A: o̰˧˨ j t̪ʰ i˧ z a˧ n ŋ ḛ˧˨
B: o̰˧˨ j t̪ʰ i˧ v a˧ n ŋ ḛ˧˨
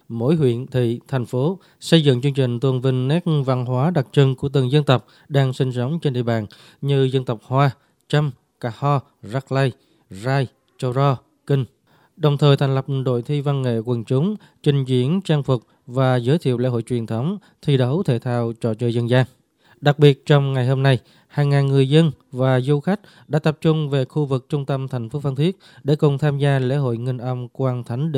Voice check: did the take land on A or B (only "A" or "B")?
B